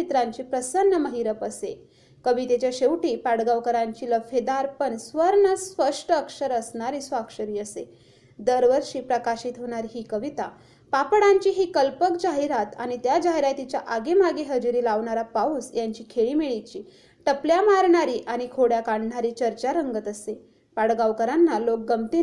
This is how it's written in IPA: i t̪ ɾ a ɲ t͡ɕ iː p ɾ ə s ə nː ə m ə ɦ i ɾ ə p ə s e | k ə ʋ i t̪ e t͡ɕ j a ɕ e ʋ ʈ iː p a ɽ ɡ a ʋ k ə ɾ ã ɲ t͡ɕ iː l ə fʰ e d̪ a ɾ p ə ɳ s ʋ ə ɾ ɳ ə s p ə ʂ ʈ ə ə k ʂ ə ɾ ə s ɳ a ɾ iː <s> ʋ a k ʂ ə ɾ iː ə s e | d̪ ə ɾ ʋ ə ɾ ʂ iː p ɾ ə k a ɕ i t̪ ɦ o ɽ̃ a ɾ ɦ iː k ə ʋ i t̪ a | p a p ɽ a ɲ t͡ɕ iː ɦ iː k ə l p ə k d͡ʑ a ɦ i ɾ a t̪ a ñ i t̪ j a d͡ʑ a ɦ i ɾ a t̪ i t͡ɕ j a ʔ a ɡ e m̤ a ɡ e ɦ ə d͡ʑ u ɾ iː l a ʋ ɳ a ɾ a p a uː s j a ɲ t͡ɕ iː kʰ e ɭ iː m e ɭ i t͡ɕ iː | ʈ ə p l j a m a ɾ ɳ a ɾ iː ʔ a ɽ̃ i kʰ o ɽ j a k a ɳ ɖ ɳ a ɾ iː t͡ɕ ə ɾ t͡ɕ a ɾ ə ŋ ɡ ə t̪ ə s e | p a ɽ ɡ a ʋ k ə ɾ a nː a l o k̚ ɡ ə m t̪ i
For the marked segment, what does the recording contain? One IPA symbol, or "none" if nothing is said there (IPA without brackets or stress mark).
s